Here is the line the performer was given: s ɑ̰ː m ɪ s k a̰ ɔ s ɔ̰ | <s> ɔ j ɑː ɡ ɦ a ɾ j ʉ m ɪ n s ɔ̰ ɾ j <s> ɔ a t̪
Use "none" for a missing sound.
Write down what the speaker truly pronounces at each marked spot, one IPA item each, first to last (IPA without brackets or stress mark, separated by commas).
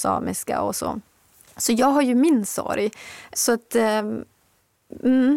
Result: s, s